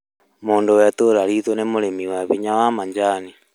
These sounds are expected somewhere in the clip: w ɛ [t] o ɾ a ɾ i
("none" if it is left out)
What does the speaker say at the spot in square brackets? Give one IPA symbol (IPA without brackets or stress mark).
t